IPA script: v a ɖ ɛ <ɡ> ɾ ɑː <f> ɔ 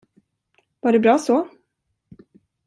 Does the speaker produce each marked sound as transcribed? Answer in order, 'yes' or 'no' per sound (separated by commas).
no, no